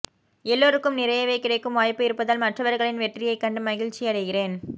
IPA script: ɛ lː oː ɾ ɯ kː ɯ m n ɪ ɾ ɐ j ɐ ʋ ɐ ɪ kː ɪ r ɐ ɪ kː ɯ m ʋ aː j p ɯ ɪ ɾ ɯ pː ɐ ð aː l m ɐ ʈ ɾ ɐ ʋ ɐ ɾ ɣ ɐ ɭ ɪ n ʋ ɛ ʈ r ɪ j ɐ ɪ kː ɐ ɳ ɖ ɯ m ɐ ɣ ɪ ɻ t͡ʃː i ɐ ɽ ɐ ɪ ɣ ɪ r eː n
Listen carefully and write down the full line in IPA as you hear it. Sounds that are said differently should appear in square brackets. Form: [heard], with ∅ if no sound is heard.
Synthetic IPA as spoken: ɛ lː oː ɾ ɯ kː ɯ m n ɪ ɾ ɐ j ɐ ʋ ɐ ɪ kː ɪ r ɐ ɪ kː ɯ m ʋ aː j p ɯ ɪ ɾ ɯ pː ɐ ð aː l m ɐ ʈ [r] ɐ ʋ ɐ ɾ ɣ ɐ ɭ ɪ n ʋ ɛ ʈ r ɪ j ɐ ɪ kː ɐ ɳ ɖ ɯ m ɐ ɣ ɪ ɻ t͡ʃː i ɐ ɽ ɐ ɪ ɣ ɪ r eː n